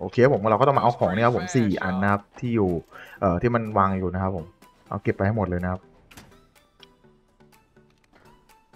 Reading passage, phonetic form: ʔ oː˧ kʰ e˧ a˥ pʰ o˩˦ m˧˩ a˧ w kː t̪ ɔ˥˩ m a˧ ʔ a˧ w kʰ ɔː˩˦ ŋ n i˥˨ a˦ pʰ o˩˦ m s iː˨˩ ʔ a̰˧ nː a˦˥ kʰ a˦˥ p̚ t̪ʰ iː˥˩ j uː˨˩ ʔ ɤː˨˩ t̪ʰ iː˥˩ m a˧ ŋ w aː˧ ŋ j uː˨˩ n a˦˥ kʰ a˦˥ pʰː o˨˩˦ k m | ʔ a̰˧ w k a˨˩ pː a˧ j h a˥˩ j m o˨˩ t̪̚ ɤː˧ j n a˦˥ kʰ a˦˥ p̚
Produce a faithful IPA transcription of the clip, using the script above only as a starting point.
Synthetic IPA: ʔ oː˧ kʰ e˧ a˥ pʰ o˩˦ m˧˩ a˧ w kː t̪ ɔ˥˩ m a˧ ʔ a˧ w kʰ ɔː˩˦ ŋ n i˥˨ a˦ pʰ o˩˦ m s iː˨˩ ʔ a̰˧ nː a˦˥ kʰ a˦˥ p̚ t̪ʰ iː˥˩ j uː˨˩ ʔ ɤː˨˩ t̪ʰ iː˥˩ m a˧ n w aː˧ ŋ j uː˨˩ n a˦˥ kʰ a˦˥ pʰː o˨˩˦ m | ʔ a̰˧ w k e˨˩ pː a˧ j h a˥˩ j m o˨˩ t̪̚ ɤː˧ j n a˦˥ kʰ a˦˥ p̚

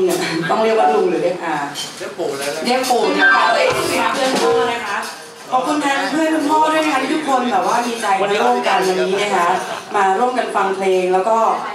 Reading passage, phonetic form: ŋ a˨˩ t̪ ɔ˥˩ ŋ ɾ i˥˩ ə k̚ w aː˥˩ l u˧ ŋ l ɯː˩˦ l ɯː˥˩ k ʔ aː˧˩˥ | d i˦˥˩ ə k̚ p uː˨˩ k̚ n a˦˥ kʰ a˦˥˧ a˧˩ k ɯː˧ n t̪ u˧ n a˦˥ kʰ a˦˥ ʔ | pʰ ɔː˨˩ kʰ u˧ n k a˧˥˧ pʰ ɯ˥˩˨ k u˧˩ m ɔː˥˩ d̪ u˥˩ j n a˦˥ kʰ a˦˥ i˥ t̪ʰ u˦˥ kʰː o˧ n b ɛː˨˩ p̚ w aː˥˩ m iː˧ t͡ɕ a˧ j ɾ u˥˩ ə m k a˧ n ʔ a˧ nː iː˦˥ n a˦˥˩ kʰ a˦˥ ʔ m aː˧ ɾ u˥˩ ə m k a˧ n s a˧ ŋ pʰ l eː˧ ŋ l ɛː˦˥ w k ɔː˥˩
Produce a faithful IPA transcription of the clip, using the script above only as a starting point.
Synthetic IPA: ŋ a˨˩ t̪ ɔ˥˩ ŋ ɾ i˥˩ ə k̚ w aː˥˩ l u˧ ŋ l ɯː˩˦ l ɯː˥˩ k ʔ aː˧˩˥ | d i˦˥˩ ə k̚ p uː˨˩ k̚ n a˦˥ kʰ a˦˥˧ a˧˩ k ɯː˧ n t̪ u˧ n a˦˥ kʰ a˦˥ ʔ | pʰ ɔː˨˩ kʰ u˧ n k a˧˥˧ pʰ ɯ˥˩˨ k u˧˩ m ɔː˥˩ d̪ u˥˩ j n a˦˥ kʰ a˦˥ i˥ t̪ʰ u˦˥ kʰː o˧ n b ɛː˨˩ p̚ w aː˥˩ m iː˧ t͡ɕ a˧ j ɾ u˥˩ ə m k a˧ n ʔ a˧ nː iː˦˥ n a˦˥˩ kʰ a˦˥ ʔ m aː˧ ɾ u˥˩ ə m k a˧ n f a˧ ŋ pʰ l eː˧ ŋ l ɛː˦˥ w k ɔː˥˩

